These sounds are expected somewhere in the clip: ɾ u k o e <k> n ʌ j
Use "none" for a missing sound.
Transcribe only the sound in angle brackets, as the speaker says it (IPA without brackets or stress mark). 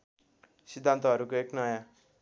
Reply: k